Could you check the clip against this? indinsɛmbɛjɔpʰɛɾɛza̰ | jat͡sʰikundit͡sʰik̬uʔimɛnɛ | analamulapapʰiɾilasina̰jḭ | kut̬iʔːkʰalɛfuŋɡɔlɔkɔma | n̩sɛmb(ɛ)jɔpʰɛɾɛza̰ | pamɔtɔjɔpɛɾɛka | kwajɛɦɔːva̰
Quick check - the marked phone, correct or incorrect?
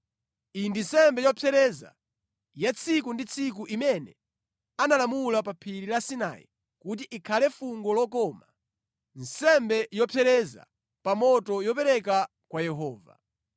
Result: correct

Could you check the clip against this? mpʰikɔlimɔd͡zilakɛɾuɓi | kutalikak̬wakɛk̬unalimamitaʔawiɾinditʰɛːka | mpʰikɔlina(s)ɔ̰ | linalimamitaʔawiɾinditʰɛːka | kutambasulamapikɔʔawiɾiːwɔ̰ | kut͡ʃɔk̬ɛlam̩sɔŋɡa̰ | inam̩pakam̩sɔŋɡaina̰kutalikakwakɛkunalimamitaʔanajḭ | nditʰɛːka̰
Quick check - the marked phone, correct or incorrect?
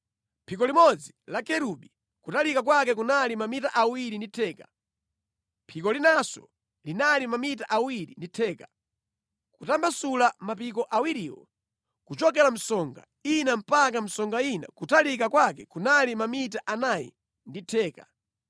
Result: correct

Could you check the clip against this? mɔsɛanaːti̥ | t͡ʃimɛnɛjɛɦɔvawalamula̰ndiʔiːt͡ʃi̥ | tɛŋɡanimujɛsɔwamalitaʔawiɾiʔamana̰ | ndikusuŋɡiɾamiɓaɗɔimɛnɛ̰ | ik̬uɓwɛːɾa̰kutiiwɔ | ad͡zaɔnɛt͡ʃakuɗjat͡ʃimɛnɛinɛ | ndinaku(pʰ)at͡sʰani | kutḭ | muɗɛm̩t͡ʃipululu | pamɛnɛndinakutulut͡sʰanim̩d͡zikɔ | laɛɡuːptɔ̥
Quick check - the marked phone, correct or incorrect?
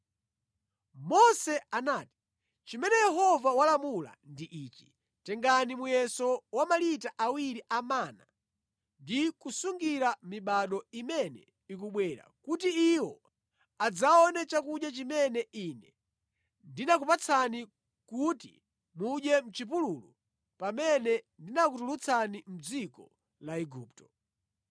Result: incorrect: p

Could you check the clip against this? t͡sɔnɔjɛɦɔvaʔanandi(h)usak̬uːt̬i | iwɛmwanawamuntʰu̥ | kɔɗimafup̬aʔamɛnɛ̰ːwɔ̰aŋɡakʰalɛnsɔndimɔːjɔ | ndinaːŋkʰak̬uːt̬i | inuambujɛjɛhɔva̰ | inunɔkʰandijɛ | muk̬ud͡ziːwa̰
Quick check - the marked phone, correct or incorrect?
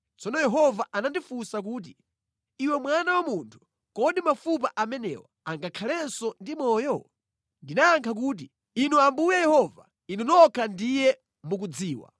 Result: incorrect: f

